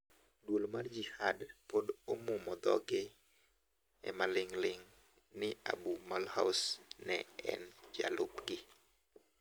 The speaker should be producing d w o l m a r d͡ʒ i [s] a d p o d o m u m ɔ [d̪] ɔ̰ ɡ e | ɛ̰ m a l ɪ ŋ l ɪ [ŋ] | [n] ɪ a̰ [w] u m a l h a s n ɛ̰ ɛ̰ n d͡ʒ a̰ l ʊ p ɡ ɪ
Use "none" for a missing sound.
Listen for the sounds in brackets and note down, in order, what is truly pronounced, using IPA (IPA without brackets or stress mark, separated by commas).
h, d̪, ŋ, n, b